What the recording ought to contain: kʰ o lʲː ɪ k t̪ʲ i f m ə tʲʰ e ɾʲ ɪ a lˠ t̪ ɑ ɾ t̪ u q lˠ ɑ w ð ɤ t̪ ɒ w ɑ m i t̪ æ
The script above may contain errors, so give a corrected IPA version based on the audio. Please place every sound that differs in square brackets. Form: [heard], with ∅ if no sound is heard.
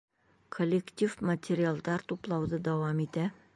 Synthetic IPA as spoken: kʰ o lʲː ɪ k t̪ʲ i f m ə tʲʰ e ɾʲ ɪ a lˠ [d̪] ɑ ɾ t̪ u [p] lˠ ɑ w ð ɤ [d̪] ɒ w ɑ m i t̪ æ